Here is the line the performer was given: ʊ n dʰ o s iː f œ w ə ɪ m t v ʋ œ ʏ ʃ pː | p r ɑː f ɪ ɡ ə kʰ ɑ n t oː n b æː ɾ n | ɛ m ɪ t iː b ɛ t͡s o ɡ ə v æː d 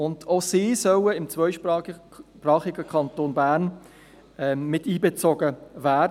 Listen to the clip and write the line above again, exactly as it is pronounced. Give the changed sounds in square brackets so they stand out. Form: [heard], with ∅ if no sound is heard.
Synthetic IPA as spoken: ʊ n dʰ o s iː [s] œ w ə ɪ m [t͡s] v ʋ œ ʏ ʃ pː | p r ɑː [χ] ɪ ɡ ə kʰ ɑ n t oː n b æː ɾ n | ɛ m ɪ t iː b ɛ t͡s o ɡ ə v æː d